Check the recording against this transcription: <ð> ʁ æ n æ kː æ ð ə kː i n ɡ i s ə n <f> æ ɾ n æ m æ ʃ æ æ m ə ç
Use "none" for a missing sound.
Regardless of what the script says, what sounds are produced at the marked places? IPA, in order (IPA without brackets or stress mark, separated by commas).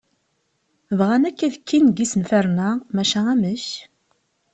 v, f